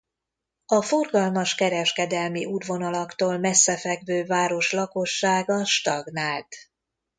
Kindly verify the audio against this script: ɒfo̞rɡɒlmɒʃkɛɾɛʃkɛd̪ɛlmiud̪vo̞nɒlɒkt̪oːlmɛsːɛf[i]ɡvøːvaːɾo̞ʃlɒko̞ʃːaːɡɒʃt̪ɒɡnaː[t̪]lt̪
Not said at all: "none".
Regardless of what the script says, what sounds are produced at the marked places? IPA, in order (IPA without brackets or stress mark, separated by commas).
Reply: ɛ, none